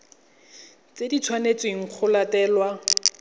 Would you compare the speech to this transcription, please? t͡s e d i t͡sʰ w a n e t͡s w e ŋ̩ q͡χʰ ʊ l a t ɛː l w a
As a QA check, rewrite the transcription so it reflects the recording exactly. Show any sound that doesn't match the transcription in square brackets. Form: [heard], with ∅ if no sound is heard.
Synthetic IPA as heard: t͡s e d i t͡sʰ w a n e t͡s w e ŋ̩ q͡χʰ ʊ l a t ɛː l w a